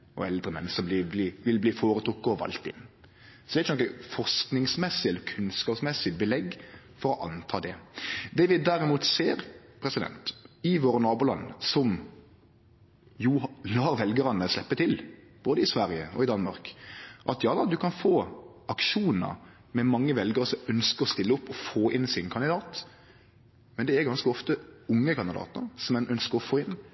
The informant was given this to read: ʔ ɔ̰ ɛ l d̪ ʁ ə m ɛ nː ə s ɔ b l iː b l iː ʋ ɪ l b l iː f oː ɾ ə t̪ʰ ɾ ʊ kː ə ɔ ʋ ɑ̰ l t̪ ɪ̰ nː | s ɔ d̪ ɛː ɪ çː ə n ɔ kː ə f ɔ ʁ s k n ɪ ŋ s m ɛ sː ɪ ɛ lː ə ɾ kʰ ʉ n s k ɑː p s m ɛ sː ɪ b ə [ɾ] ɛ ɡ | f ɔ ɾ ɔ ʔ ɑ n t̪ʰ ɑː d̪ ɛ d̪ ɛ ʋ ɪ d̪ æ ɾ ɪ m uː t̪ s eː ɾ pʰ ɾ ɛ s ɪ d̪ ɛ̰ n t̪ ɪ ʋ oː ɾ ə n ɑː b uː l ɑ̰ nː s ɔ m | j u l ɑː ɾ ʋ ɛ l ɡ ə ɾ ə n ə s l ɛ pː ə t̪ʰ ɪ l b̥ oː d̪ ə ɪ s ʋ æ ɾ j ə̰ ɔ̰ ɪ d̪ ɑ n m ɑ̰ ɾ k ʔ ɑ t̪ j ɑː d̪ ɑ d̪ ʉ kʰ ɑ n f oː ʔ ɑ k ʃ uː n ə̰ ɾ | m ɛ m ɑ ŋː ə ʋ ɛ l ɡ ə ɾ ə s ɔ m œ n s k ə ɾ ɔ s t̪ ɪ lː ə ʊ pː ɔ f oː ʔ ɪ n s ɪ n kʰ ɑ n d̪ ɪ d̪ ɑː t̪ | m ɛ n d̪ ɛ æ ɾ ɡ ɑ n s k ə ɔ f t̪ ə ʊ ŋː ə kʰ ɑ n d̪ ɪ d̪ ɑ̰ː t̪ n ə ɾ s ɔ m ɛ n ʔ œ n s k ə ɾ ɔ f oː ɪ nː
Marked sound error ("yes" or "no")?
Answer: yes